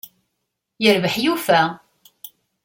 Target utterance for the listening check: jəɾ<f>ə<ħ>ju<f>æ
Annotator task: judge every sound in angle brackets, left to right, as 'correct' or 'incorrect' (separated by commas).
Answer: incorrect, correct, correct